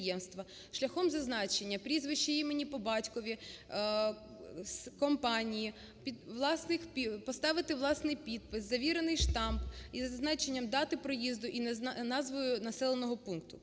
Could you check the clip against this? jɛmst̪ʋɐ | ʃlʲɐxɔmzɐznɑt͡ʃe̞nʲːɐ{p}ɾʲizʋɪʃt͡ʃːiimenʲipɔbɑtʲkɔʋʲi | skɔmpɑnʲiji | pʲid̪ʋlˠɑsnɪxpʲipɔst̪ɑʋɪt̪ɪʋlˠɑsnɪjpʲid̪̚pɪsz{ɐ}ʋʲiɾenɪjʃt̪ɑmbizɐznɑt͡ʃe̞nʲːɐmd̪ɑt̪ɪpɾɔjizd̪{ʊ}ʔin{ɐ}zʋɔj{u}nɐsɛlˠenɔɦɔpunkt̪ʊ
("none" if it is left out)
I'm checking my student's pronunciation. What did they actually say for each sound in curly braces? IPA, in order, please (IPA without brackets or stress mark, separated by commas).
p, ɐ, ʊ, ɑ, ʊ